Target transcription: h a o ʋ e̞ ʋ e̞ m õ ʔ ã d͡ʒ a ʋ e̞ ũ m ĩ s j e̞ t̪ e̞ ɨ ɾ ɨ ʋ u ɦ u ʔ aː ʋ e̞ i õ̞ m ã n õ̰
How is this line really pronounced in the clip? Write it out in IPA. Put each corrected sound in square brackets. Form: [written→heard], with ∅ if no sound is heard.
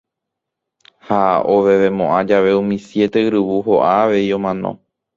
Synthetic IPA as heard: h a o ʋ e̞ ʋ e̞ m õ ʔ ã d͡ʒ a ʋ e̞ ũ m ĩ s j e̞ t̪ e̞ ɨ ɾ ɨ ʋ u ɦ [u→o] ʔ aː ʋ e̞ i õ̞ m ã n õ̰